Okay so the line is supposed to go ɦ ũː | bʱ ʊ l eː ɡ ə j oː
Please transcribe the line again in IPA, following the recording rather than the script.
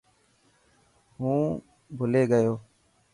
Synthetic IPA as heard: ɦ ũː | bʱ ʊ l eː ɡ ə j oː

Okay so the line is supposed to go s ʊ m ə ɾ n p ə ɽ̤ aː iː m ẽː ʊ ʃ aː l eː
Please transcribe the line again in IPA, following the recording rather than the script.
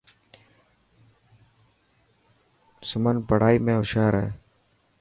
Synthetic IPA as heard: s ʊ m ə n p ə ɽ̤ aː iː m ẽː ʊ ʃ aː ɾ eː

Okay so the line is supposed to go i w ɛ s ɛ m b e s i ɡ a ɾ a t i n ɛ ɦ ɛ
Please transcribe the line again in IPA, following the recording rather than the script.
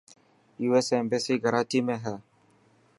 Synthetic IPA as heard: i w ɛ s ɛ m b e s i ɡ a ɾ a t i m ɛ ɦ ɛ

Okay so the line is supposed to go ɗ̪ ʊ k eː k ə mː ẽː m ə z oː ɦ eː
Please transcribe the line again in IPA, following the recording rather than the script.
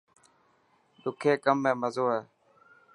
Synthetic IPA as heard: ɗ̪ ʊ kʰ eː k ə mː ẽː m ə z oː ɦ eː

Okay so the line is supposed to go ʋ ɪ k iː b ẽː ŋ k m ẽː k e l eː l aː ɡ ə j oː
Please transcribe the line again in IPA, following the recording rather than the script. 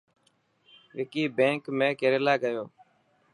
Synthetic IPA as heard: ʋ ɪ k iː b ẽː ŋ k m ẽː k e ɾ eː l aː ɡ ə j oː

